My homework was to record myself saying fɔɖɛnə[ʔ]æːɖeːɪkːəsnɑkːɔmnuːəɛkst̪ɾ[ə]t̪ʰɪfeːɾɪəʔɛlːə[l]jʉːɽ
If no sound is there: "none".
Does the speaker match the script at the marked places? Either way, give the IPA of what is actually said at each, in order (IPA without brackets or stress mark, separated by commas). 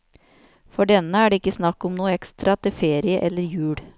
none, ɑ, ɾ